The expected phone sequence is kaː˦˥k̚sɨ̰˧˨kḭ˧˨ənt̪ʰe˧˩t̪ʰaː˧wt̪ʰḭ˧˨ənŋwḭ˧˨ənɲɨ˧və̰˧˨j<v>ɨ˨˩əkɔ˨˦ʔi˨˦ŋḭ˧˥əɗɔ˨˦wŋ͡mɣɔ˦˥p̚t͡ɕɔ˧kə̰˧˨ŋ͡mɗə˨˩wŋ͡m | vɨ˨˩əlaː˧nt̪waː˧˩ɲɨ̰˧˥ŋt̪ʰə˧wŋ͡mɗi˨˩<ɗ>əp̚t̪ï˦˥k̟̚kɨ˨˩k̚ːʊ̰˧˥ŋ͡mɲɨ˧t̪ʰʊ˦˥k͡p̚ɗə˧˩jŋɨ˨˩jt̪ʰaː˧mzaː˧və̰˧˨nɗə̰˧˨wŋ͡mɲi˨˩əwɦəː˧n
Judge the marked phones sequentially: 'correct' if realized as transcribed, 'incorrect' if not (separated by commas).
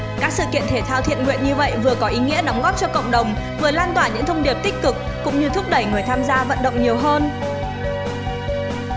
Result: correct, incorrect